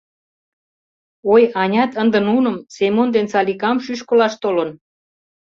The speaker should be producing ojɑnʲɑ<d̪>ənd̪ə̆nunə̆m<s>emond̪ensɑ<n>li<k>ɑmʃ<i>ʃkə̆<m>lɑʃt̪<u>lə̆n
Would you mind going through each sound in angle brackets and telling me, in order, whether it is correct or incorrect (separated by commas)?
incorrect, correct, incorrect, correct, incorrect, incorrect, incorrect